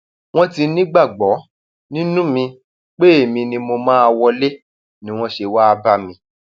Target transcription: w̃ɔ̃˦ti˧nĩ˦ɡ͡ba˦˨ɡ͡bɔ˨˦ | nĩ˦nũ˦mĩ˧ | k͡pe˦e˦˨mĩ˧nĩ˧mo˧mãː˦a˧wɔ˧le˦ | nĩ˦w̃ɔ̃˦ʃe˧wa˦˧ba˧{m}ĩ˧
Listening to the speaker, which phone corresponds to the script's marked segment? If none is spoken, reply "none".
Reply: m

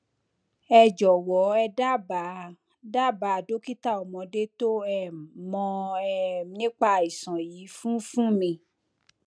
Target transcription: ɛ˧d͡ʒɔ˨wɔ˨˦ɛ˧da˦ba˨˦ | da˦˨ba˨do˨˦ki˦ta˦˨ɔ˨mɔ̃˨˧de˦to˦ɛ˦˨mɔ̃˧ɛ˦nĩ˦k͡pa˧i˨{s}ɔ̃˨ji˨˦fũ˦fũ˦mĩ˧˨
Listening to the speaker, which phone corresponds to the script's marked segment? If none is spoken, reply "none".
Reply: s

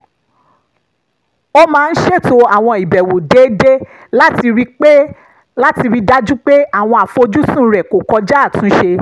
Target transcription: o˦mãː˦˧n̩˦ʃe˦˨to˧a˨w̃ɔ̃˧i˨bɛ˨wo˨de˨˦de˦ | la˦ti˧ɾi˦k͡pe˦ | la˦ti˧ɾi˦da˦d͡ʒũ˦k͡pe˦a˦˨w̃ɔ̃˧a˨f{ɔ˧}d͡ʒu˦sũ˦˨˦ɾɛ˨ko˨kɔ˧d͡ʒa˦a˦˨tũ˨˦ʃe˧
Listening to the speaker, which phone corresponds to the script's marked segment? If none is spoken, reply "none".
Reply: o˧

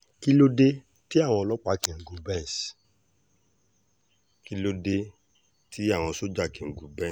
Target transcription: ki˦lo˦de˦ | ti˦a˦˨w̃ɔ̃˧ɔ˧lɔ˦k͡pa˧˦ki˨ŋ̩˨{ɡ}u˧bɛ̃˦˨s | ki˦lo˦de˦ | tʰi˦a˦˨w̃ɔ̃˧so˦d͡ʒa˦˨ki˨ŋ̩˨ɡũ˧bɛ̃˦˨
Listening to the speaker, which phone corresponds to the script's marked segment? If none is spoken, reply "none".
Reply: ɡ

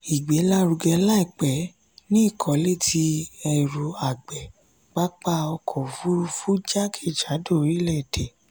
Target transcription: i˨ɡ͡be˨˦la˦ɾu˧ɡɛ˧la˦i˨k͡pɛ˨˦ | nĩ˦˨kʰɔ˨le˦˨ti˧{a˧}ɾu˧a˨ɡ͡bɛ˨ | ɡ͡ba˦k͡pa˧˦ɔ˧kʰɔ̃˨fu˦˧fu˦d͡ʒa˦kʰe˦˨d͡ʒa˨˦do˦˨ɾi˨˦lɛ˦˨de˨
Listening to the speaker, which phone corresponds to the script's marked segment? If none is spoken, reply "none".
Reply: ɛ˧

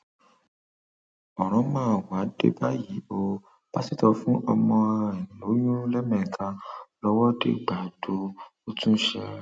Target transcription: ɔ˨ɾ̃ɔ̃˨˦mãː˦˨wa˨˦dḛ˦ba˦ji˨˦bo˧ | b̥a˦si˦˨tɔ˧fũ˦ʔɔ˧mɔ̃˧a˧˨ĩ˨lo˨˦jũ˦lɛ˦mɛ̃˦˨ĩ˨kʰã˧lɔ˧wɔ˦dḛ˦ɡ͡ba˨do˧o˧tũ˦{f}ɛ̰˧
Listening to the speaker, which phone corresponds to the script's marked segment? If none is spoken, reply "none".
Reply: ʃ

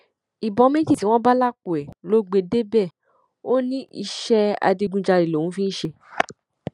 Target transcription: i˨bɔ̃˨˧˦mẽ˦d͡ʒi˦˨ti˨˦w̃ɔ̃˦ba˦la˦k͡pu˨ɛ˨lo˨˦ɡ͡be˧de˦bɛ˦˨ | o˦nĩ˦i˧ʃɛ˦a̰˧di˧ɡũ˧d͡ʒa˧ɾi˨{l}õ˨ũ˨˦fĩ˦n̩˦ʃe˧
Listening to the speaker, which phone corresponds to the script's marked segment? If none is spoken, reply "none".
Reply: l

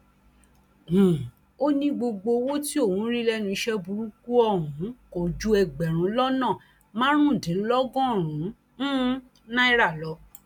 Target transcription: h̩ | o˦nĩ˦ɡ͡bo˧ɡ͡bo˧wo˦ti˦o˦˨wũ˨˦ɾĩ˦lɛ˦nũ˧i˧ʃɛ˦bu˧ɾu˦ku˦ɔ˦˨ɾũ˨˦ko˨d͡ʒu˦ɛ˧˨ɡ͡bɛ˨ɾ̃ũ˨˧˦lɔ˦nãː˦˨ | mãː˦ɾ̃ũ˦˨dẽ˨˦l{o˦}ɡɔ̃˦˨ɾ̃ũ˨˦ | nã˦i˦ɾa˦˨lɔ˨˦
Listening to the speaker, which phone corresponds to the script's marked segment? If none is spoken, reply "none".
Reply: ɔ˦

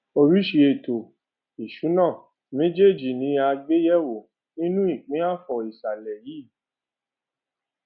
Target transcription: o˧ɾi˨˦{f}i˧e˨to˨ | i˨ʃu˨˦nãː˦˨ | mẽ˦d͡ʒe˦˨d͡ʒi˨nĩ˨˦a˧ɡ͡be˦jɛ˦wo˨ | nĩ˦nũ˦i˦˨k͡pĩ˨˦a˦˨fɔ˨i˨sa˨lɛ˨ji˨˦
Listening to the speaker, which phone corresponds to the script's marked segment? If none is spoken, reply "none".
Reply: ʃ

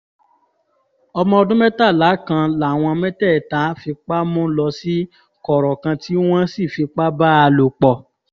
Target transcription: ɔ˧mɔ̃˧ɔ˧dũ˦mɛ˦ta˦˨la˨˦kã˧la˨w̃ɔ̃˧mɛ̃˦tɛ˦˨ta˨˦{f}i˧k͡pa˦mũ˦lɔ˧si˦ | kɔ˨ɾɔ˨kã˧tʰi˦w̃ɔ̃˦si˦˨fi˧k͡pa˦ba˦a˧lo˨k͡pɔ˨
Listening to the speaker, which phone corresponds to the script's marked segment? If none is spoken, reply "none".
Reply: f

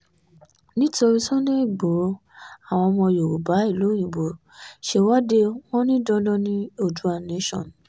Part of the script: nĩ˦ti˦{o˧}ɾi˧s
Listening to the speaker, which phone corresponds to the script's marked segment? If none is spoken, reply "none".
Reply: o˧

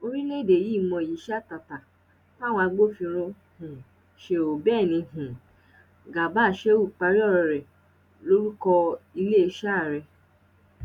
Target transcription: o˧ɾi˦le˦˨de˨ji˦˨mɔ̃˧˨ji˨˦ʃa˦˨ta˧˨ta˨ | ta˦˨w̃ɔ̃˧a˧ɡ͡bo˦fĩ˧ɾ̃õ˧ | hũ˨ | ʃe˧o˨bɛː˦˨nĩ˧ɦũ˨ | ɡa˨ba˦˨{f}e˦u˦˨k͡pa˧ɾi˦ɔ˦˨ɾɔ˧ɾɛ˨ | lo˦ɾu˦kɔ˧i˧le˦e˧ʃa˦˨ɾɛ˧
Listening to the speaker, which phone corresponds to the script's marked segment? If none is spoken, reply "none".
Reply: ʃ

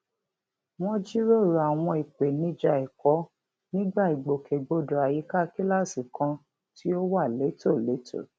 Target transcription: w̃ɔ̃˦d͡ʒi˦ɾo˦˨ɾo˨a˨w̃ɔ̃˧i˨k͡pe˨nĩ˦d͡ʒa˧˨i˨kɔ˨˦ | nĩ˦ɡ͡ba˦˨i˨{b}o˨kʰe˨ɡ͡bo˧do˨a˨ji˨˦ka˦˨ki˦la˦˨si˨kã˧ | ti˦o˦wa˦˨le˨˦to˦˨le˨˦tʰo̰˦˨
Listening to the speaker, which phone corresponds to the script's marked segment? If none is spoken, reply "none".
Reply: ɡ͡b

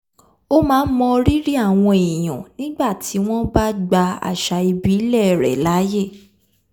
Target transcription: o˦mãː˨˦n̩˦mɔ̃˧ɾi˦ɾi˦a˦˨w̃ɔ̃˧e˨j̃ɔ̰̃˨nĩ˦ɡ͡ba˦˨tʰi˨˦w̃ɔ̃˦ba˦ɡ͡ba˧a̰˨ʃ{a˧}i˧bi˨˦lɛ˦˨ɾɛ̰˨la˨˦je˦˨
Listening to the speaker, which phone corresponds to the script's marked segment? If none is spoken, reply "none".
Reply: a˧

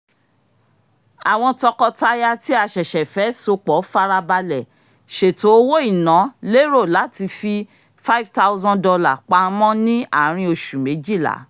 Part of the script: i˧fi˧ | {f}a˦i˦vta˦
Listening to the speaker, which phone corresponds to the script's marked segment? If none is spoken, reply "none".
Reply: f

